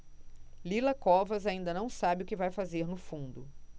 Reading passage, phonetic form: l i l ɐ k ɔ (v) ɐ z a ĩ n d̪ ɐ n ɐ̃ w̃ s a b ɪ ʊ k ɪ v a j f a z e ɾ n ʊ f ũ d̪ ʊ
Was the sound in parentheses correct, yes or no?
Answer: yes